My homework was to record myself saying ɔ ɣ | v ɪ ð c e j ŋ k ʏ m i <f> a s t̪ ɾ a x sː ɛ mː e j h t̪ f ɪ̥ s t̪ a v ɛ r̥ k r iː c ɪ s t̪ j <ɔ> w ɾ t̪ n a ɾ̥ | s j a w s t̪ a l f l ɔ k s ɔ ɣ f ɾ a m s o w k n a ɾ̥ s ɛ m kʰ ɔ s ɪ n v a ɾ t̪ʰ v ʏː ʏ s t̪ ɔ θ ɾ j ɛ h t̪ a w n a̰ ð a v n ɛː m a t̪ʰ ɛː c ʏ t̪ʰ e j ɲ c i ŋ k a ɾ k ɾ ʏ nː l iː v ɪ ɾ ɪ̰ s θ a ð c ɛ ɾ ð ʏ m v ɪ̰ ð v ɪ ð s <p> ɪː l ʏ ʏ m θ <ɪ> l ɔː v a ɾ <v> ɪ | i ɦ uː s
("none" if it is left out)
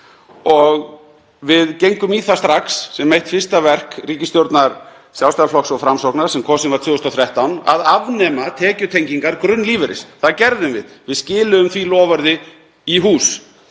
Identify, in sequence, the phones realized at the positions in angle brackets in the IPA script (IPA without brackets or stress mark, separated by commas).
θ, o, c, i, ð